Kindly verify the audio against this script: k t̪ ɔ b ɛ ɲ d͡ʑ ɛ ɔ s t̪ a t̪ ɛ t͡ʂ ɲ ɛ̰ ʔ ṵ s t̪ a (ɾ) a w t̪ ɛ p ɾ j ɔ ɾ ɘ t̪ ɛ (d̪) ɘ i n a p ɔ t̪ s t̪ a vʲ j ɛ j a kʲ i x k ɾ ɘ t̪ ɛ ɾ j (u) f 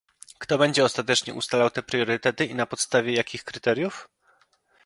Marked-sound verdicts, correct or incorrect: incorrect: l, incorrect: t̪, correct

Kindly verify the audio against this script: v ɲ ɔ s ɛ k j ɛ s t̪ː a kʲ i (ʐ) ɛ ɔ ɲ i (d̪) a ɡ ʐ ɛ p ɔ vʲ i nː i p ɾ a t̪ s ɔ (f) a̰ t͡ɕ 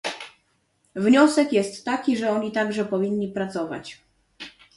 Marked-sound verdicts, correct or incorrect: correct, incorrect: t̪, incorrect: v

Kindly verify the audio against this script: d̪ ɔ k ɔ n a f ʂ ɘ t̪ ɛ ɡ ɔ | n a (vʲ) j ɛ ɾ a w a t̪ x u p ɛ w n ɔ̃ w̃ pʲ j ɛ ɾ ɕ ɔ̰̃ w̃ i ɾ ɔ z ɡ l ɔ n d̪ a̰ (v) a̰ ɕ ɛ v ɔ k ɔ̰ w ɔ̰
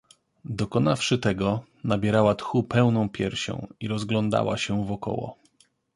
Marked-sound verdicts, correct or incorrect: incorrect: bʲ, incorrect: w

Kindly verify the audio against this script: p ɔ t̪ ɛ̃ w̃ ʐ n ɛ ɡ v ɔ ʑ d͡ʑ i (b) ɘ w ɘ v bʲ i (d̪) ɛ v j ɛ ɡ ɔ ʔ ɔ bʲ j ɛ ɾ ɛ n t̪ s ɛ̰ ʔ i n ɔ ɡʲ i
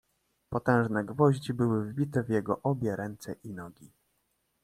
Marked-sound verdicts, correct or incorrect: correct, incorrect: t̪

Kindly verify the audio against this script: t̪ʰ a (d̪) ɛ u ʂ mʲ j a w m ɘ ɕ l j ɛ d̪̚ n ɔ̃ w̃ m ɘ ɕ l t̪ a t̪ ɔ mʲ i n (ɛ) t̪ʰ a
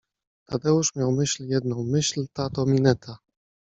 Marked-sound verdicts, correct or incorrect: correct, correct

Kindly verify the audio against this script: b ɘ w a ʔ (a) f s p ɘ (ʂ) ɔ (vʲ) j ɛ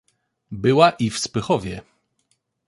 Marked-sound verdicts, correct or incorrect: incorrect: i, incorrect: x, correct

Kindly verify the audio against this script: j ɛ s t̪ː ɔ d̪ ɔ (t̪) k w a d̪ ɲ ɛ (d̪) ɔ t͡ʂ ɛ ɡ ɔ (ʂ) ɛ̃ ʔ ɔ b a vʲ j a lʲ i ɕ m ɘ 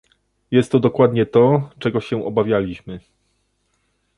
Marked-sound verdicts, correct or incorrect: incorrect: none, incorrect: t̪, incorrect: ɕ

